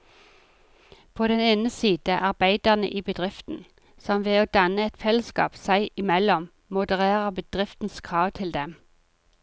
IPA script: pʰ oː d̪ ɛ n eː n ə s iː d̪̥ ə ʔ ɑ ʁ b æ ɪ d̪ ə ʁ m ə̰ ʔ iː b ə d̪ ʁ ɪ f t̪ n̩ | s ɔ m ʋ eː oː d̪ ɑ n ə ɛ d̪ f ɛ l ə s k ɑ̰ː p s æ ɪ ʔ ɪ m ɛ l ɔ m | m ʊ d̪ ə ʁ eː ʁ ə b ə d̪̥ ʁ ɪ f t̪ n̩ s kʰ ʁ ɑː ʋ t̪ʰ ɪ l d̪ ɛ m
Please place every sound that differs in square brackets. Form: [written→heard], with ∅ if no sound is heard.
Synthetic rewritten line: pʰ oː d̪ ɛ n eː n ə s iː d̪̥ ə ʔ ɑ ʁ b æ ɪ d̪ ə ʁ [m→n] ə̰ ʔ iː b ə d̪ ʁ ɪ f t̪ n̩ | s ɔ m ʋ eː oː d̪ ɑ n ə ɛ [d̪→t̪] f ɛ l ə s k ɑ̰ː p s æ ɪ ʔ ɪ m ɛ l ɔ m | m ʊ d̪ ə ʁ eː ʁ ə b ə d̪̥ ʁ ɪ f t̪ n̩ s kʰ ʁ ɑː ʋ t̪ʰ ɪ l d̪ ɛ m